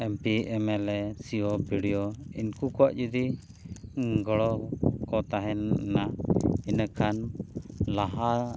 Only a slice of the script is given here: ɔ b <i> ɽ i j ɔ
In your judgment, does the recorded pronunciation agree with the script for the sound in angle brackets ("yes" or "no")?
yes